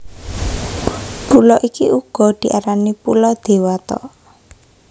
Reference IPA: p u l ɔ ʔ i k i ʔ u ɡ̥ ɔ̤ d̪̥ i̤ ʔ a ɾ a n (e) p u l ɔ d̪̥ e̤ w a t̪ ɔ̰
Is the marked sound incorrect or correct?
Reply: incorrect